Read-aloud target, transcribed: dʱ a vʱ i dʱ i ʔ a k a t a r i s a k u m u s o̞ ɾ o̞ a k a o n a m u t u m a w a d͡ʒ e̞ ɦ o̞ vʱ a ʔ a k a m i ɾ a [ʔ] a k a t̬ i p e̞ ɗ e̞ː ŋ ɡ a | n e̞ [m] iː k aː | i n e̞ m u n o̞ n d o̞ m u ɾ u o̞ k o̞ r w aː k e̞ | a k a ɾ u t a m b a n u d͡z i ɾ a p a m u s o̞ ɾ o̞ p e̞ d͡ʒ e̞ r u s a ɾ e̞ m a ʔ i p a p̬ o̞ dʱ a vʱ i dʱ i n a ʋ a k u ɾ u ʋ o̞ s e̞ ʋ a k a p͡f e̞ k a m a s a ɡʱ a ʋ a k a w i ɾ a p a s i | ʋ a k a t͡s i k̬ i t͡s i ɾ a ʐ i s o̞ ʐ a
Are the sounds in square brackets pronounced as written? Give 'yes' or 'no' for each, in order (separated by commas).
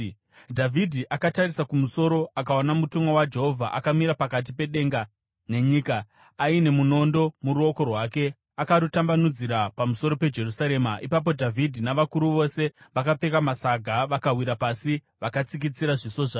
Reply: no, no